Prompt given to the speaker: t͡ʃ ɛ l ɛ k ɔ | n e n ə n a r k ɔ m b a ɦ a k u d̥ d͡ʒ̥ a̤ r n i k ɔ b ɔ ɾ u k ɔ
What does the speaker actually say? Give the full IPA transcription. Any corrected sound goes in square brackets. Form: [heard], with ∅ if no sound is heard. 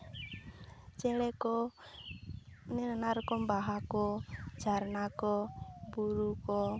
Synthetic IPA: t͡ʃ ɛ l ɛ k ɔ | n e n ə n a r k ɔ m b a ɦ a k [ɔ] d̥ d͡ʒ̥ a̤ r n [a] k ɔ b [u] ɾ u k ɔ